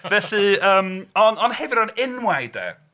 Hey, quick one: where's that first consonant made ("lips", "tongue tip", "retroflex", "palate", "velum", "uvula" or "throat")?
lips